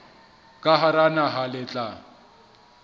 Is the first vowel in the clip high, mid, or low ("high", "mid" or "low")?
low